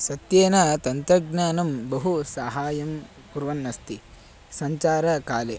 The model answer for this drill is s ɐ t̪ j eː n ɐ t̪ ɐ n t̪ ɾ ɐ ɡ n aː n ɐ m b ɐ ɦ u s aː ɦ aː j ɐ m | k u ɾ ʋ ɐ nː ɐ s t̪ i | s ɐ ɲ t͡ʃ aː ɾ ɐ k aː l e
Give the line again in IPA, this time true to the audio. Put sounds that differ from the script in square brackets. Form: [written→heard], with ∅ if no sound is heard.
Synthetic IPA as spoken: s ɐ t̪ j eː n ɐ t̪ ɐ n t̪ ɾ ɐ ɡ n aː n ɐ m b ɐ ɦ u s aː ɦ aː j ɐ m | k u ɾ ʋ ɐ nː ɐ s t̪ i | s ɐ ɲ t͡ʃ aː ɾ ɐ k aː l e